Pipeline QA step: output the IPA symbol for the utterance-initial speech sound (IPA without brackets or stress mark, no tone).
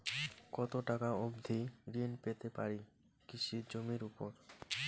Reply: k